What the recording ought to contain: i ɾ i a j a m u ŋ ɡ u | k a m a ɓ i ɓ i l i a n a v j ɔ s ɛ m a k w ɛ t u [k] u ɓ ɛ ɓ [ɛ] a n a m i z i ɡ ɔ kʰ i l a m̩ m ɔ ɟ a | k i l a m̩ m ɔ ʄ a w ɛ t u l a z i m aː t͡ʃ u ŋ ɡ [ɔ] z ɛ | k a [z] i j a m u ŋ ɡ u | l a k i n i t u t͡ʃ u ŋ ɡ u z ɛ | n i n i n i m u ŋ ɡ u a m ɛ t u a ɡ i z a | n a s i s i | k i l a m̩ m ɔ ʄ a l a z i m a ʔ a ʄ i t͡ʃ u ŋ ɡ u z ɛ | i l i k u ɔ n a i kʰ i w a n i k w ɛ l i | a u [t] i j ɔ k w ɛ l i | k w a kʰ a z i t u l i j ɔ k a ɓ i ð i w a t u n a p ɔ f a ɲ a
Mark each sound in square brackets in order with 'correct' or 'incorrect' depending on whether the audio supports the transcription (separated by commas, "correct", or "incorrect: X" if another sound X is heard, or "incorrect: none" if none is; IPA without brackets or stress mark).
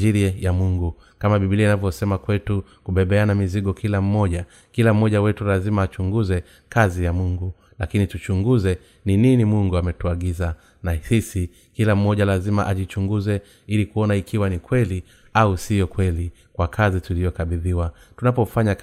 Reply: correct, correct, incorrect: u, correct, incorrect: s